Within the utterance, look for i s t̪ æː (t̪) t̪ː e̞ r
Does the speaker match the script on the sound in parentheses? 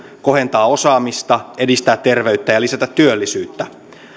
yes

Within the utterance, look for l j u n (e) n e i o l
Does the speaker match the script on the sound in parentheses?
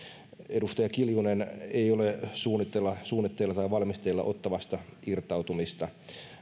yes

